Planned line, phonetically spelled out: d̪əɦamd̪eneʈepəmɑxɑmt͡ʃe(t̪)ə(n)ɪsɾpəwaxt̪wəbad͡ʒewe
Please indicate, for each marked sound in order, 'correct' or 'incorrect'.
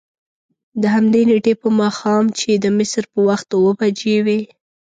incorrect: d̪, incorrect: m

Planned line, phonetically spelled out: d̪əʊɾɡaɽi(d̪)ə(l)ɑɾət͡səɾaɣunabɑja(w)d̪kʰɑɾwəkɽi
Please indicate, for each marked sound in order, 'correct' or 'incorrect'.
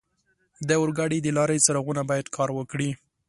correct, correct, incorrect: none

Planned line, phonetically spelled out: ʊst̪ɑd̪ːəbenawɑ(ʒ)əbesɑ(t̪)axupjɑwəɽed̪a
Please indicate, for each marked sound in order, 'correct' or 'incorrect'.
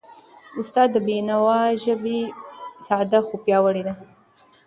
correct, incorrect: d̪

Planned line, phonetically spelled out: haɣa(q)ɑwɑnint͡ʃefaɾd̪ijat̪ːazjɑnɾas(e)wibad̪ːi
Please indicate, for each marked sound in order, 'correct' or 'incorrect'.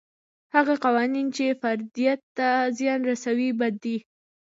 correct, incorrect: a

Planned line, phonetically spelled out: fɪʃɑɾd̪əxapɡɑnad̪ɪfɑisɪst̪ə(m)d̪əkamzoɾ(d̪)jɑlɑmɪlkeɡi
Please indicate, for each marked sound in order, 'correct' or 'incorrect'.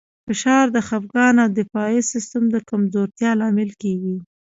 correct, incorrect: t̪

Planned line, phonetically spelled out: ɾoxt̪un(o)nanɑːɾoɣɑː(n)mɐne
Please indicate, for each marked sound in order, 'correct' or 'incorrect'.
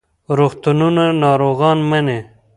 incorrect: u, correct

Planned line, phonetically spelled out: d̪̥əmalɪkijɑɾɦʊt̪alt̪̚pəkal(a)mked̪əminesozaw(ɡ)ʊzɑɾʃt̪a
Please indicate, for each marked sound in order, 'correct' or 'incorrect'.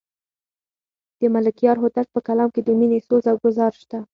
incorrect: ɑ, correct

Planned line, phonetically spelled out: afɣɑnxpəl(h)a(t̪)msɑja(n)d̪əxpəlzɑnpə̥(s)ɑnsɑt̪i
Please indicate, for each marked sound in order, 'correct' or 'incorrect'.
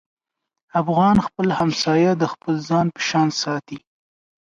correct, incorrect: none, incorrect: none, incorrect: ʃ

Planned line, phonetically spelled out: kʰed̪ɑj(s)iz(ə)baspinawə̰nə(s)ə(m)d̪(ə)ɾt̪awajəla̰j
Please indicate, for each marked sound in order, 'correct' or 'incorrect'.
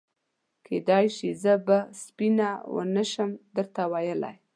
incorrect: ʃ, correct, incorrect: ʃ, correct, correct

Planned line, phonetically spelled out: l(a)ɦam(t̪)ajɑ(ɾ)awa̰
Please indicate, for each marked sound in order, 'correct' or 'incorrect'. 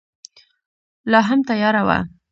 incorrect: ɑ, correct, correct

